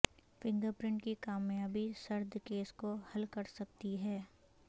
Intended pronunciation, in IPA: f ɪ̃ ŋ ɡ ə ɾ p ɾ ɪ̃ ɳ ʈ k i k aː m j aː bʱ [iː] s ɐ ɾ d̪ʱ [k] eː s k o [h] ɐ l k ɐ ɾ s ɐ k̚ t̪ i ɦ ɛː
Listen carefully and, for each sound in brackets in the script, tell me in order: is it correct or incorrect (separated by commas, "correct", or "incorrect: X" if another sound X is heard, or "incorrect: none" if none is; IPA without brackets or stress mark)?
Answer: incorrect: i, correct, correct